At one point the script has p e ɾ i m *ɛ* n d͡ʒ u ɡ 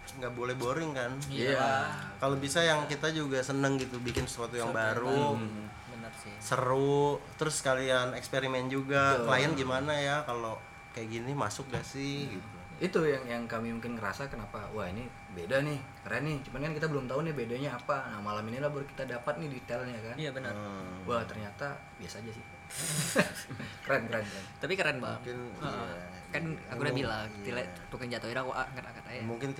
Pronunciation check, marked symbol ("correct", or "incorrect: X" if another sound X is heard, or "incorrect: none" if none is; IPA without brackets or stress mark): correct